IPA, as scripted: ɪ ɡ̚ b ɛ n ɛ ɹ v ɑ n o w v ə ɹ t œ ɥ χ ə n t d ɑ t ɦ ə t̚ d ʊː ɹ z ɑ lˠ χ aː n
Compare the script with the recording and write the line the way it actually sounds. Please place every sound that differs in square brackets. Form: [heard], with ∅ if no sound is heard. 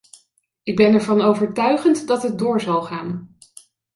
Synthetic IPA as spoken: ɪ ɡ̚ b ɛ n ɛ ɹ v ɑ n o w v ə ɹ t œ ɥ χ ə n t d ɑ t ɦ ə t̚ d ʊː ɹ z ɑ lˠ χ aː n